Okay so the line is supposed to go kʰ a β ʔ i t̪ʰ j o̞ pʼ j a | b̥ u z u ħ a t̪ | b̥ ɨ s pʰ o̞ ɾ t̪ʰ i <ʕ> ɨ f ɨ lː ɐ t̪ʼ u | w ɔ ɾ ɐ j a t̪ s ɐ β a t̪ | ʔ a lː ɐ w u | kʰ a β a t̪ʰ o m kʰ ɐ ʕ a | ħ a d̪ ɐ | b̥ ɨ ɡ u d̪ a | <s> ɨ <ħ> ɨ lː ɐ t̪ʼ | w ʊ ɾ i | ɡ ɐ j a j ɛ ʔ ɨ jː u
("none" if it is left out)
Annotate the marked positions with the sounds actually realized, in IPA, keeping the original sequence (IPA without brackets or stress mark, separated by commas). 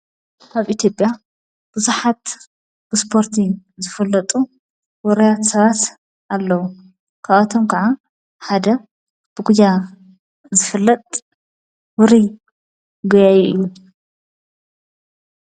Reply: z, z, f